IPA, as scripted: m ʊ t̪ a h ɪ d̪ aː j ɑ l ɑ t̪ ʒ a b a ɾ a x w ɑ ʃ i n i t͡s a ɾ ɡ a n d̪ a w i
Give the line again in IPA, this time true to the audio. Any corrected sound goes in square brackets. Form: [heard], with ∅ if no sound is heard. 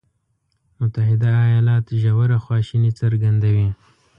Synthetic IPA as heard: m ʊ t̪ a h ɪ d̪ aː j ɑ l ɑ t̪ ʒ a [w] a ɾ a x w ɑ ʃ i n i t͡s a ɾ ɡ a n d̪ a w i